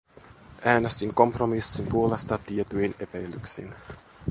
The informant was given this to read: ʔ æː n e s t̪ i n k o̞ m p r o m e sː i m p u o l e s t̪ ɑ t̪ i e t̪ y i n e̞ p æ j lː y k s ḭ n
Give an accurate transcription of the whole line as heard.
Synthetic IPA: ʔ æː n e s t̪ i ŋ k o̞ m p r o m i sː i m p u o l e s t̪ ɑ t̪ i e t̪ y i n e̞ p æ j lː y k s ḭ n